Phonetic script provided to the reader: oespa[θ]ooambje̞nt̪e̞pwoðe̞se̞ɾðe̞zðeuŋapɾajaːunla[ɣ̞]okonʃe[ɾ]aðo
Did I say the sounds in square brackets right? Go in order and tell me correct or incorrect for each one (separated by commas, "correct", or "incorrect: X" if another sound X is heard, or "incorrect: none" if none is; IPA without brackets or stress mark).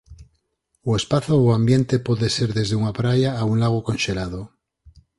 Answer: correct, correct, incorrect: l